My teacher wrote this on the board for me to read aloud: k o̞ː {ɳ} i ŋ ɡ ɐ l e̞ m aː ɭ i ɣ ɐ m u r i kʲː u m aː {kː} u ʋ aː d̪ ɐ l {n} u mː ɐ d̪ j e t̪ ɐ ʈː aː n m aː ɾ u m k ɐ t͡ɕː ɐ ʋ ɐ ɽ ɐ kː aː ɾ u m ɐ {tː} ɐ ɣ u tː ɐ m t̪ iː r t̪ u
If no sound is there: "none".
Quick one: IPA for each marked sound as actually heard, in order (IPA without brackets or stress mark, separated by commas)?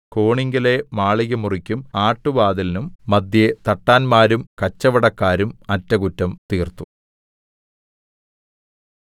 ɳ, ʈː, n, tː